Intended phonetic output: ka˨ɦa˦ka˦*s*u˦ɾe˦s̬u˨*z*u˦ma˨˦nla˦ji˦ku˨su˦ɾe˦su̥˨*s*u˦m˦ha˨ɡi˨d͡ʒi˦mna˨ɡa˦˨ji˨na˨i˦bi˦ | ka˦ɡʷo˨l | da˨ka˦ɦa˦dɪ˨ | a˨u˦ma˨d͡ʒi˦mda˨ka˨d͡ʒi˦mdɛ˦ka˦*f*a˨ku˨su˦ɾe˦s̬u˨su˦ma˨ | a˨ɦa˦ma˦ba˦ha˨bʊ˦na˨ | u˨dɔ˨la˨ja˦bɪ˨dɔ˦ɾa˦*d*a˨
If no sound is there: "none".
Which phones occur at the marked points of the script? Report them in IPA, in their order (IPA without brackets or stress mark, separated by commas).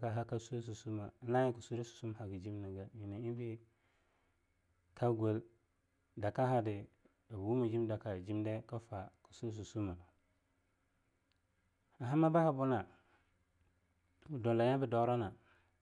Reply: s, s, s, f, n